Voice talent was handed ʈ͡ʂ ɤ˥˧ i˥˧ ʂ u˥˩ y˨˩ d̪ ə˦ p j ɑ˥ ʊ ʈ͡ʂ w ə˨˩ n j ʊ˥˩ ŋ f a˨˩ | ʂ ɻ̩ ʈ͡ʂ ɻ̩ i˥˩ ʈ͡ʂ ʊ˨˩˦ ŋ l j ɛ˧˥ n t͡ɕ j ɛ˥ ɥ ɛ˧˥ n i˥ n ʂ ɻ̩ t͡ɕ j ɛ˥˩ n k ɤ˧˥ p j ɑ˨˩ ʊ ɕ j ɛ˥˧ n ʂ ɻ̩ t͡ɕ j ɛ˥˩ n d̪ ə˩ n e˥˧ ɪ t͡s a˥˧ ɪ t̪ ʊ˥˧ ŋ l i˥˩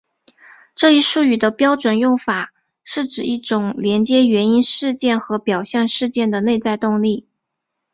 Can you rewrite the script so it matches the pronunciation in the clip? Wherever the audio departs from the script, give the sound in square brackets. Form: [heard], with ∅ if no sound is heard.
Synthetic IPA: ʈ͡ʂ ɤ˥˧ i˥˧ ʂ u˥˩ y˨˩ d̪ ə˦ p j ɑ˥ ʊ ʈ͡ʂ w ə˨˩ n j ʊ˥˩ ŋ f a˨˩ | ʂ ɻ̩ ʈ͡ʂ ɻ̩ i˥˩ ʈ͡ʂ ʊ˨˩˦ ŋ l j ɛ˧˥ n t͡ɕ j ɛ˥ ɥ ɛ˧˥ n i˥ n ʂ ɻ̩ t͡ɕ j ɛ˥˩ n [x] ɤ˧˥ p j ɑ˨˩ ʊ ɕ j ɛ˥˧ n ʂ ɻ̩ t͡ɕ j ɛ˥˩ n d̪ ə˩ n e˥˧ ɪ t͡s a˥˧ ɪ t̪ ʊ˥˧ ŋ l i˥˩